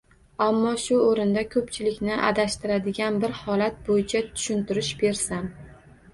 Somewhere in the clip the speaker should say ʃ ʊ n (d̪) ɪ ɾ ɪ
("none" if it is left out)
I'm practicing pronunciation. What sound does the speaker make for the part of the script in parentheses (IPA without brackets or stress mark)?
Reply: t̪